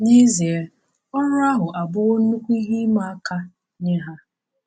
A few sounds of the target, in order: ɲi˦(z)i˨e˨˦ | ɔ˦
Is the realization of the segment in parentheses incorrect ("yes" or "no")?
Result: no